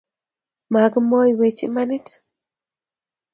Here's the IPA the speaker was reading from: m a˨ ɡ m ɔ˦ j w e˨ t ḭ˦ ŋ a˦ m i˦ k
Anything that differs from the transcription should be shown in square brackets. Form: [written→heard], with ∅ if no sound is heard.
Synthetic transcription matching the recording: m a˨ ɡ m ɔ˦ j w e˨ [t→t͡ʃ] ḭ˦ [ŋ→m] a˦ [m→n] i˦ [k→t]